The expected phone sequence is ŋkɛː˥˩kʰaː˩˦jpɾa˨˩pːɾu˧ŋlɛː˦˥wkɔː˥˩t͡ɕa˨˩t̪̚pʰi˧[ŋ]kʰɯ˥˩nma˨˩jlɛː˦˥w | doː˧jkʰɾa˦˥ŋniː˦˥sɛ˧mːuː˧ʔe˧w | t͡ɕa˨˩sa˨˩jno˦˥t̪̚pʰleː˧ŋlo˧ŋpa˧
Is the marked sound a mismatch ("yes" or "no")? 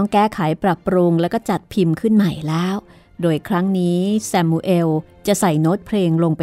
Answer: yes